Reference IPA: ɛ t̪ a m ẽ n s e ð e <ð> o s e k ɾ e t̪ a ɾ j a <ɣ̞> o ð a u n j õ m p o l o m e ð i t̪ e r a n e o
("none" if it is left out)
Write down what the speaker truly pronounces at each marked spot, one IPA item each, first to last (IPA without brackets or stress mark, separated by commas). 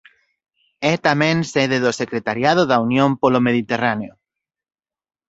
ð, ð̞